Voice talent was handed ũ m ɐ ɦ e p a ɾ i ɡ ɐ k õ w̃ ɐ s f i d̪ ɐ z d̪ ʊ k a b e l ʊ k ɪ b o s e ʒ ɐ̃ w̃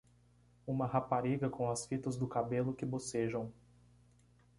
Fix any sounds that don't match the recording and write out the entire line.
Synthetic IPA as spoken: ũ m ɐ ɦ a p a ɾ i ɡ ɐ k õ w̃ ɐ s f i t̪ ɐ z d̪ ʊ k a b e l ʊ k ɪ b o s e ʒ ɐ̃ w̃